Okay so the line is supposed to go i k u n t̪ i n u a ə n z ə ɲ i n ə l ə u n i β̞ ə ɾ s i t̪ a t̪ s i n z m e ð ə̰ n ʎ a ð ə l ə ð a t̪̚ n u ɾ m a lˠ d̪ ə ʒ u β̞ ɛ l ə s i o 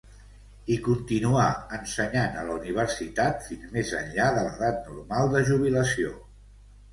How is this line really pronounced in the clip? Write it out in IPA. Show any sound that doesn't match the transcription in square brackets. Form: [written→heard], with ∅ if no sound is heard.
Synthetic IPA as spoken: i k u n t̪ i n u a ə n [z→s] ə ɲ [i→a] n ə l ə u n i β̞ ə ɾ s i t̪ a t̪ [s→f] i n z m e [ð→z] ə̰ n ʎ a ð ə l ə ð a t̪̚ n u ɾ m a lˠ d̪ ə ʒ u β̞ [ɛ→i] l ə s i o